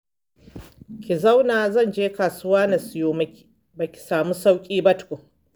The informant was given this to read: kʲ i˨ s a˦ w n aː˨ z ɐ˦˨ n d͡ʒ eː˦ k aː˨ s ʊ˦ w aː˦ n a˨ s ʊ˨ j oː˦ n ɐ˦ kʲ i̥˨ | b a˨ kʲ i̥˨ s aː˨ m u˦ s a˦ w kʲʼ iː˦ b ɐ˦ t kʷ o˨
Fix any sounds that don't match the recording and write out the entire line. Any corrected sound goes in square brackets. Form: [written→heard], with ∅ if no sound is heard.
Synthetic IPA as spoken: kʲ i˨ [s→z] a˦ w n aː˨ z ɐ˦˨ n d͡ʒ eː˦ k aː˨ s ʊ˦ w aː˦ n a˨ s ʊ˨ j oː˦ [n→m] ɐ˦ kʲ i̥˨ | b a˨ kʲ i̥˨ s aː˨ m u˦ s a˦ w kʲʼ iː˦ b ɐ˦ t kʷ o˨